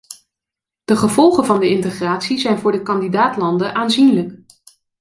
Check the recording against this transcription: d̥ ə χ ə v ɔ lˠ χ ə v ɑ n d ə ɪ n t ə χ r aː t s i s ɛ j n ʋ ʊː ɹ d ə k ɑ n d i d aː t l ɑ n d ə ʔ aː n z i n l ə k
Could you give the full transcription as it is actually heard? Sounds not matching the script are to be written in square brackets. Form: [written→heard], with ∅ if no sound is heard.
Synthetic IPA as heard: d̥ ə χ ə v ɔ lˠ χ ə v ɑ n d ə ɪ n t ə χ r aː t s i [s→z] ɛ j n [ʋ→v] ʊː ɹ d ə k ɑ n d i d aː t l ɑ n d ə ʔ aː n z i n l ə k